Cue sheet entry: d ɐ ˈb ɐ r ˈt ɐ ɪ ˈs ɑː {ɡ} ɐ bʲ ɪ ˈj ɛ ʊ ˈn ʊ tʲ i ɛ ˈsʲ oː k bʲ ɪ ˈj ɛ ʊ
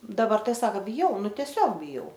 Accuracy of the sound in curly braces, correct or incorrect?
incorrect